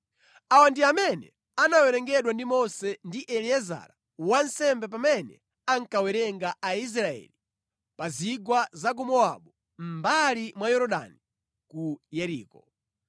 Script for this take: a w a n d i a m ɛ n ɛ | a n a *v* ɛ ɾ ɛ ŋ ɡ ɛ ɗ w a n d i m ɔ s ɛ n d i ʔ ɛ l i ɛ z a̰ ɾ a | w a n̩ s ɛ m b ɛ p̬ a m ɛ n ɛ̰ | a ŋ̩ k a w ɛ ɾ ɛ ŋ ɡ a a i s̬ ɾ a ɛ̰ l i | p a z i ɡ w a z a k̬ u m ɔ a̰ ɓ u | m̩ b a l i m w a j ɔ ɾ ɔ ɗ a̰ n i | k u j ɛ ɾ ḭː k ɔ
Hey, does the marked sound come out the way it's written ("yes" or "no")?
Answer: no